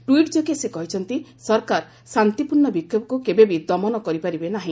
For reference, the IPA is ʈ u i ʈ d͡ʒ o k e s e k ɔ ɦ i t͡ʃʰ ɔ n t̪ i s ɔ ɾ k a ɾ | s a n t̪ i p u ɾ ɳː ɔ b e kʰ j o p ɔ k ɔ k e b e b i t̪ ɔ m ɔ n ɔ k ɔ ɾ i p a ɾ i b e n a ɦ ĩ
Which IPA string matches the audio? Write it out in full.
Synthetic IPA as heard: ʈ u i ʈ d͡ʒ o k e s e k ɔ ɦ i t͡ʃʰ ɔ n t̪ i s ɔ ɾ k a ɾ | s a n t̪ i p u ɾ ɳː ɔ b i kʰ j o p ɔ k u k e b e b i d̪ ɔ m ɔ n ɔ k ɔ ɾ i p a ɾ i b e n a ɦ ĩ